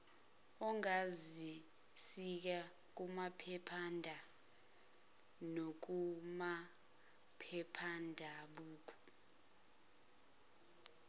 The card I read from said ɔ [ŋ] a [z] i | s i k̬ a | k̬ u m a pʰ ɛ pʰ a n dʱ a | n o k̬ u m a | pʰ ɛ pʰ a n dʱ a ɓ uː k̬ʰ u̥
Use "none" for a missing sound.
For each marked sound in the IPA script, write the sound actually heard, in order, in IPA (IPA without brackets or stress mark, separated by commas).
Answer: ŋ, z